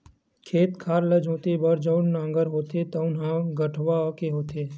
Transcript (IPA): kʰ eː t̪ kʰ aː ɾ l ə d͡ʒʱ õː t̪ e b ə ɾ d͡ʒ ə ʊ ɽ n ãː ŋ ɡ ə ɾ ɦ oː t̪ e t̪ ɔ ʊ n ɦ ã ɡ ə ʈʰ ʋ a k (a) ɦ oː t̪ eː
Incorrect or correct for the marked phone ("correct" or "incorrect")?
incorrect